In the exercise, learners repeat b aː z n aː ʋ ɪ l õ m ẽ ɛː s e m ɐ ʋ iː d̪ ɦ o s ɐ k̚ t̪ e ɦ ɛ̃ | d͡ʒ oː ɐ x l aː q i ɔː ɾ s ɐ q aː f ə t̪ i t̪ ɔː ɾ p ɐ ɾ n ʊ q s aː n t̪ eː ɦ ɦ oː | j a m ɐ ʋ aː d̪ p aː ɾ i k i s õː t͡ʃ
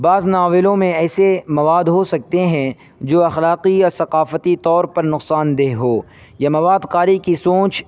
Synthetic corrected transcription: b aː z n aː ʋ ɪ l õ m ẽ ɛː s e m ɐ ʋ aː d̪ ɦ o s ɐ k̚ t̪ e ɦ ɛ̃ | d͡ʒ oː ɐ x l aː q i ɔː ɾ s ɐ q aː f ə t̪ i t̪ ɔː ɾ p ɐ ɾ n ʊ q s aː n d̪ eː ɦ ɦ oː | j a m ɐ ʋ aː d̪ q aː ɾ i k i s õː t͡ʃ